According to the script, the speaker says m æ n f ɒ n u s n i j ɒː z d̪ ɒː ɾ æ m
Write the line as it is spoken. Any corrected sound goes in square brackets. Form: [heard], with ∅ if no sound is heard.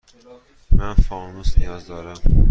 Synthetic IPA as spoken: m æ n f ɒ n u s n i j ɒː z d̪ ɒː ɾ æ m